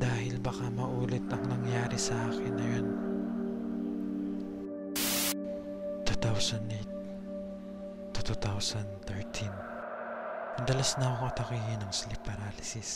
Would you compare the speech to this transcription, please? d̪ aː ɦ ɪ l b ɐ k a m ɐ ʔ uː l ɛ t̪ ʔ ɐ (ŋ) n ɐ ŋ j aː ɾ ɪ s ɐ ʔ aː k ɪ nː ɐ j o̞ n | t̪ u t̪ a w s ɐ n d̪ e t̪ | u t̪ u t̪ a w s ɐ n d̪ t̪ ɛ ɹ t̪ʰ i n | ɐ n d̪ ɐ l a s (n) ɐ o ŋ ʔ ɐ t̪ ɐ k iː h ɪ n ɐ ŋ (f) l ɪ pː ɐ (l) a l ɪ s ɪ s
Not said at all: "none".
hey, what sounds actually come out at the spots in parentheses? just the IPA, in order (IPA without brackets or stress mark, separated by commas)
ŋ, n, s, ɾ